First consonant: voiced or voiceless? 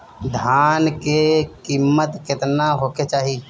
voiced